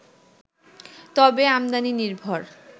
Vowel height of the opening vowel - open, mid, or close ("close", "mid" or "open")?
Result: mid